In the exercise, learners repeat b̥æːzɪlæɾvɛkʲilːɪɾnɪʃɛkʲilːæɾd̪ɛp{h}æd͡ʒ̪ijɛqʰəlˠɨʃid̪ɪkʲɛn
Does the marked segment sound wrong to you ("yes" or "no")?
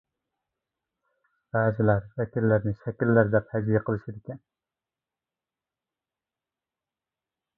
no